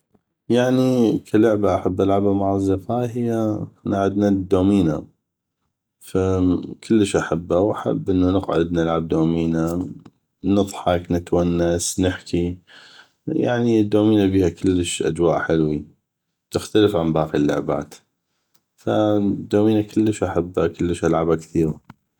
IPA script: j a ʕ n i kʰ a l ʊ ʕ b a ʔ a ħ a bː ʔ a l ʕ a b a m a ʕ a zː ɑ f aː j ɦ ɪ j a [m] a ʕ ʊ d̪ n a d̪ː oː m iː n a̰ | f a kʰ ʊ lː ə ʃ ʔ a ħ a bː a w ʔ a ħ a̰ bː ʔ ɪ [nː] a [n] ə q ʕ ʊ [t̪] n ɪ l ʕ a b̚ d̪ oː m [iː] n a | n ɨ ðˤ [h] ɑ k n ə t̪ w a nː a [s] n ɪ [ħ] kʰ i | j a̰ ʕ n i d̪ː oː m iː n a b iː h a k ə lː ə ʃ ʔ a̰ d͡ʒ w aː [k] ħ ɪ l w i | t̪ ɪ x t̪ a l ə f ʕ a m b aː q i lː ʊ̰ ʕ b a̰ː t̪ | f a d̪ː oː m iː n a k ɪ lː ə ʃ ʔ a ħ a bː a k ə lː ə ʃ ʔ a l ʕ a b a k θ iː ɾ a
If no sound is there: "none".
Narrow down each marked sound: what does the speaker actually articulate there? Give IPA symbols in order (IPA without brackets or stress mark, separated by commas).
n, nː, n, d̪, iː, ħ, s, ħ, ʔ